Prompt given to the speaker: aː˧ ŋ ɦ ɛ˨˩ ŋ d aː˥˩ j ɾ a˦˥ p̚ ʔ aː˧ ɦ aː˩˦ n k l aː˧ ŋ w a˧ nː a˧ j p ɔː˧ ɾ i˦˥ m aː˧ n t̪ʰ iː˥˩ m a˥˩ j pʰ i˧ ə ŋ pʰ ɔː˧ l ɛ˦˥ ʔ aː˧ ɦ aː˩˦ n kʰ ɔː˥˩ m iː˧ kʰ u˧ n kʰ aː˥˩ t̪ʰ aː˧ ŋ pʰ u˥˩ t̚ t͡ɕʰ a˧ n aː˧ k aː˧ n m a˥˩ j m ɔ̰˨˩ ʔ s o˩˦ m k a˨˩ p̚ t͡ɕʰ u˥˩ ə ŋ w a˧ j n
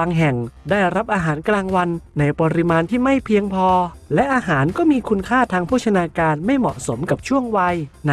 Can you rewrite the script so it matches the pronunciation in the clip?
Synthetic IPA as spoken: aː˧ ŋ ɦ ɛ˨˩ ŋ d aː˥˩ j ɾ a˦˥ p̚ ʔ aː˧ ɦ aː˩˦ n k l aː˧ ŋ w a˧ nː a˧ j p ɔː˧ ɾ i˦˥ m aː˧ n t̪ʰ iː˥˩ m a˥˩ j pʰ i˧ ə ŋ pʰ ɔː˧ l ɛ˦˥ ʔ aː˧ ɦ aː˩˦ n k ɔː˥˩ m iː˧ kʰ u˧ n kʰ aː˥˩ t̪ʰ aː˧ ŋ pʰ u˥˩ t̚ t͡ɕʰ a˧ n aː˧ k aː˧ n m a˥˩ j m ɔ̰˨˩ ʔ s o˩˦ m k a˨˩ p̚ t͡ɕʰ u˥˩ ə ŋ w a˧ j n